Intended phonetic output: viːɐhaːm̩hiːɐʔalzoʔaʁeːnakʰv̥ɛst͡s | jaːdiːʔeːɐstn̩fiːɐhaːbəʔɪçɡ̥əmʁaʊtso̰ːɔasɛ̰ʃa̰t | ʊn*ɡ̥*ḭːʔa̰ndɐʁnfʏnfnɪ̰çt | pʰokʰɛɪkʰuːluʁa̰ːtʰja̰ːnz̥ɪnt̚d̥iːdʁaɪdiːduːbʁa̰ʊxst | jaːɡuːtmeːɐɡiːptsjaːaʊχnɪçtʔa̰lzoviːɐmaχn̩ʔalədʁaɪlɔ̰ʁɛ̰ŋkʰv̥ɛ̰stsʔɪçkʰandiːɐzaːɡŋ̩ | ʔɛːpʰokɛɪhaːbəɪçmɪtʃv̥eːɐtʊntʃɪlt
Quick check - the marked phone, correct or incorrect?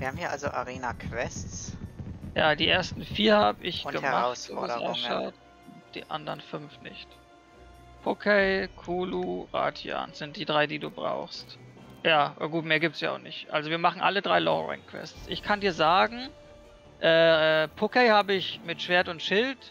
incorrect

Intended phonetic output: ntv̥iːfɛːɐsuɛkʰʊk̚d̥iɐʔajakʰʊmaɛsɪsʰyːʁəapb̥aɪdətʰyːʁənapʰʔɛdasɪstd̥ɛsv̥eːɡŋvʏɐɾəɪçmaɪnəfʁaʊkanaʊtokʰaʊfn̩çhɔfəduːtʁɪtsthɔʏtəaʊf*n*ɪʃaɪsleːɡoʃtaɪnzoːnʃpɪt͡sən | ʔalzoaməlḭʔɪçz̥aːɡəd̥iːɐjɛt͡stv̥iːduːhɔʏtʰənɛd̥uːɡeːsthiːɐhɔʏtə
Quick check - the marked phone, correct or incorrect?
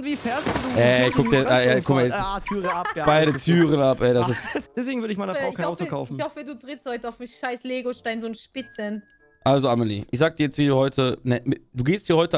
incorrect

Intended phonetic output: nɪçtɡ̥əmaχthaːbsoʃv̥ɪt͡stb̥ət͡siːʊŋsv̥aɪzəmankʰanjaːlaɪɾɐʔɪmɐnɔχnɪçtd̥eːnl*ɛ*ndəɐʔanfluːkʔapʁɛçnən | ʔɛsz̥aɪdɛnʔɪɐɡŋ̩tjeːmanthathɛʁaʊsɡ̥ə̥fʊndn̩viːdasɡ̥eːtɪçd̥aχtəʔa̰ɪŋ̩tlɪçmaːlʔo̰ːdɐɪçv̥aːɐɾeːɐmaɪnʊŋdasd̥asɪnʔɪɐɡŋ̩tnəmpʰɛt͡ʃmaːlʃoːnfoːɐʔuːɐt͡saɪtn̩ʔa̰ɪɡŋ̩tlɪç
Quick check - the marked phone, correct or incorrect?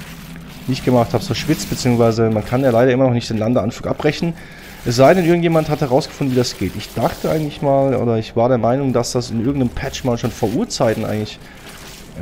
incorrect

